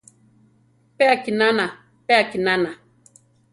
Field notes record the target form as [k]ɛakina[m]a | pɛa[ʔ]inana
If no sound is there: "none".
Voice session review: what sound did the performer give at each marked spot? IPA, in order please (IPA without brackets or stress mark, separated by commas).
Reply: p, n, k